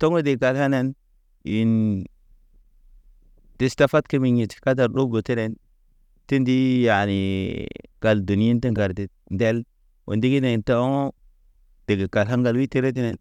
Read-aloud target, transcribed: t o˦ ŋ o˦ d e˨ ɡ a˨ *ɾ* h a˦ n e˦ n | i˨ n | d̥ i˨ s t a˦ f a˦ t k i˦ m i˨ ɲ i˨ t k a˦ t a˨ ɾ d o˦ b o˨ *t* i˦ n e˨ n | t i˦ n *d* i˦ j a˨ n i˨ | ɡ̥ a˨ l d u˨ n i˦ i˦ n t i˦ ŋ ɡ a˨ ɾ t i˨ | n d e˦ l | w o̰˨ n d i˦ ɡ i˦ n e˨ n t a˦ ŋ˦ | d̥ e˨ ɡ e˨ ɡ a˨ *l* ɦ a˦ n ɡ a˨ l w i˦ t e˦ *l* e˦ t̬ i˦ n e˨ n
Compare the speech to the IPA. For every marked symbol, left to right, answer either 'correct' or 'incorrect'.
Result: incorrect: l, correct, correct, correct, incorrect: ɾ

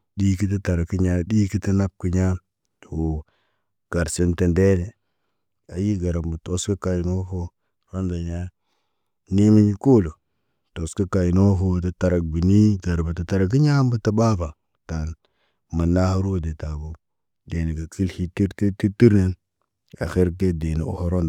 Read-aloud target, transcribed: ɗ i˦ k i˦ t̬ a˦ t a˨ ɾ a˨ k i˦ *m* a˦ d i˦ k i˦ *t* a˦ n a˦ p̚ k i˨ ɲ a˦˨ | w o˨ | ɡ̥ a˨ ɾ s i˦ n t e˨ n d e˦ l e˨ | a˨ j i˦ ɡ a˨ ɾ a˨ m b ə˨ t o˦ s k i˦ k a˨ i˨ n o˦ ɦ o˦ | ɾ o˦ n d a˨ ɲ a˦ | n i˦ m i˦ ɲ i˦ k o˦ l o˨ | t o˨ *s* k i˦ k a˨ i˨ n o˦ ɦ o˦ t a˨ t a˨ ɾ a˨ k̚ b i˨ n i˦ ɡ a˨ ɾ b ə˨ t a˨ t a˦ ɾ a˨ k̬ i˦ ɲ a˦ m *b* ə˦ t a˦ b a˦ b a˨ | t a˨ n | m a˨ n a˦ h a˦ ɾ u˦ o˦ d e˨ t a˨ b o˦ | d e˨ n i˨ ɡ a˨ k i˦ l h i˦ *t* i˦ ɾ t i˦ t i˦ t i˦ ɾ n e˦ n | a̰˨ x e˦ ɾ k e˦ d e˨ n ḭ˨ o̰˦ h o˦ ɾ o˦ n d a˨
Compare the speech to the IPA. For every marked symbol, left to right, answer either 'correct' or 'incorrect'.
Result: incorrect: ɲ, correct, correct, correct, correct

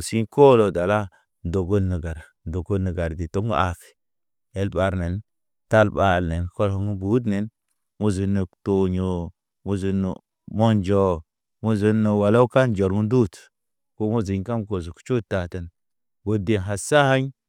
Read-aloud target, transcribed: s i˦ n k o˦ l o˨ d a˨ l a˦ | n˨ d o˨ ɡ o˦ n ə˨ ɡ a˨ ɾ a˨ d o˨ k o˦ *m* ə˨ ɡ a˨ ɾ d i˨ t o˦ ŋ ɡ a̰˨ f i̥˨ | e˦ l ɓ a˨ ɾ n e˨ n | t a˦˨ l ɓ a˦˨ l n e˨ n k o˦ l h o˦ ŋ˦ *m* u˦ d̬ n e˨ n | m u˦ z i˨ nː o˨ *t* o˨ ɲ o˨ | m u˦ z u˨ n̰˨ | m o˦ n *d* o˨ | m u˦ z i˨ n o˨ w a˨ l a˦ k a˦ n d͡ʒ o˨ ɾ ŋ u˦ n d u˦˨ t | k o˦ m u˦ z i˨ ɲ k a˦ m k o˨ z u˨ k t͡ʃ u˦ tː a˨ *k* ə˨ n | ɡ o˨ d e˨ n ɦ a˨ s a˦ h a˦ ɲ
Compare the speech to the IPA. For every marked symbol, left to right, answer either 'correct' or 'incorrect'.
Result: incorrect: n, incorrect: b, correct, incorrect: d͡ʒ, incorrect: t

